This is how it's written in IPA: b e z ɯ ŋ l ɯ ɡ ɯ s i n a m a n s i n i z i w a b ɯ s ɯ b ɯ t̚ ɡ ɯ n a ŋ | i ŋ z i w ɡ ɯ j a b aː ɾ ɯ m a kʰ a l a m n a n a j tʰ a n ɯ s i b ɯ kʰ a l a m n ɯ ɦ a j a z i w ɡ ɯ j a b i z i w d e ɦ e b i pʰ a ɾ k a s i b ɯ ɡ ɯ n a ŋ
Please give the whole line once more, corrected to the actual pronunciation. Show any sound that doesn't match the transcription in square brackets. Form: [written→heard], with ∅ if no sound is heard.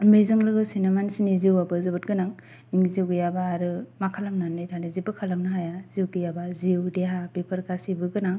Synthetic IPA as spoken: [b→m] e z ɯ ŋ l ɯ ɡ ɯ s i n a m a n s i n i z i w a b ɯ [s→z] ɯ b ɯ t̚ ɡ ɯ n a ŋ | i ŋ z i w ɡ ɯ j a b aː ɾ ɯ m a kʰ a l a m n a n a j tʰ a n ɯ [s→z] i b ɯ kʰ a l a m n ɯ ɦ a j a z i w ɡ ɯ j a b [i→a] z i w d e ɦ [e→a] b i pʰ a ɾ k a s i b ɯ ɡ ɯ n a ŋ

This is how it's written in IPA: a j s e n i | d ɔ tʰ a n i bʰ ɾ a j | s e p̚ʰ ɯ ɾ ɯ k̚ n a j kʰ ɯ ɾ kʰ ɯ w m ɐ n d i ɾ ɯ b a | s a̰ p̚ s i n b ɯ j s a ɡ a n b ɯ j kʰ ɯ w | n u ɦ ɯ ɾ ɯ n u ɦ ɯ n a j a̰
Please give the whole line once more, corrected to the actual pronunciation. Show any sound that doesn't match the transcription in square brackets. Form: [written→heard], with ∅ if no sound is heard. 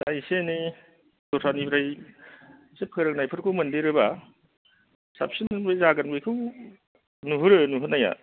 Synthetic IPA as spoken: a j s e n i | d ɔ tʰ a n i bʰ ɾ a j | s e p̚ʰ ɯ ɾ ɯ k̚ n a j [kʰ→pʰ] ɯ ɾ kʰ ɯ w m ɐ n d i ɾ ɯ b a | s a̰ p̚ s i n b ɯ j [s→z] a ɡ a n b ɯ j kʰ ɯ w | n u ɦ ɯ ɾ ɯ n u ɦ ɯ n a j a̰

